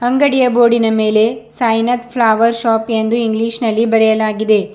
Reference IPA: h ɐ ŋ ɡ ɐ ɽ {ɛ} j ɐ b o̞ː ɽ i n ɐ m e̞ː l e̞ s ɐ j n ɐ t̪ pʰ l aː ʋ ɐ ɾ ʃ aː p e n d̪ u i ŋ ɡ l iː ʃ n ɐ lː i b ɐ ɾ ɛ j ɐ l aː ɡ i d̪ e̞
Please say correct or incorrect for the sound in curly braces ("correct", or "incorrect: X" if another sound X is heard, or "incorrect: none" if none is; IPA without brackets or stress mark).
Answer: incorrect: i